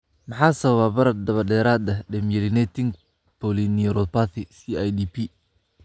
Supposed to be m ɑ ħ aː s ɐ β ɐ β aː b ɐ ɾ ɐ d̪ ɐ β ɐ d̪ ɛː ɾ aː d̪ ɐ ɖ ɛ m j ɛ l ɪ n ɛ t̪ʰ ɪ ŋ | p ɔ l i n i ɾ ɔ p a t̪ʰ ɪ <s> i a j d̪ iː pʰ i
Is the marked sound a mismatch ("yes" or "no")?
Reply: no